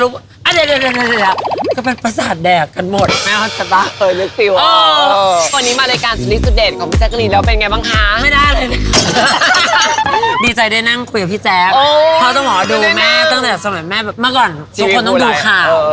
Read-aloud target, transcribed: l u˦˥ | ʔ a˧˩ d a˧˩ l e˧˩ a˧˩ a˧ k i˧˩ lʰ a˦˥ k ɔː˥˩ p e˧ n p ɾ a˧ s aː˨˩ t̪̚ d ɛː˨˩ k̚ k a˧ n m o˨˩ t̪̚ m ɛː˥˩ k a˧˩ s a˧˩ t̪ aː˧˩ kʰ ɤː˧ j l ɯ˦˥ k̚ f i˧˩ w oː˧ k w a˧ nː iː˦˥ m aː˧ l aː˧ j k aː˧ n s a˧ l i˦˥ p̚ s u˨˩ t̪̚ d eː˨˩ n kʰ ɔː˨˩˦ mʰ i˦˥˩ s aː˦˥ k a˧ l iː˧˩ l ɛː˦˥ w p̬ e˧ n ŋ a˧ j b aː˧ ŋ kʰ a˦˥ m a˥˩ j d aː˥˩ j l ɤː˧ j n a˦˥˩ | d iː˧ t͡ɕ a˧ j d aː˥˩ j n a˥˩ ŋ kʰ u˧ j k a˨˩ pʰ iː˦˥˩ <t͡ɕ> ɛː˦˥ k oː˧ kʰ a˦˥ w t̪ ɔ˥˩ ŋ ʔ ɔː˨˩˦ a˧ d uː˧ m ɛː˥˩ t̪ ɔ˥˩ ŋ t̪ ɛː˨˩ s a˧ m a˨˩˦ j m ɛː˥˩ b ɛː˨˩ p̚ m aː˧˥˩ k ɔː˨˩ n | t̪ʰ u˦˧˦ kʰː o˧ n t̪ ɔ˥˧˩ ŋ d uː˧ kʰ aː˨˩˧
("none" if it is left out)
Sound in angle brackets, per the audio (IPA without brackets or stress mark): t͡ɕ